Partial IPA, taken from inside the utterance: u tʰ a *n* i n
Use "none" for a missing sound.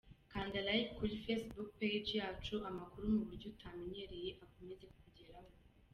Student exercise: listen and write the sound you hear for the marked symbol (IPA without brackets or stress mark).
m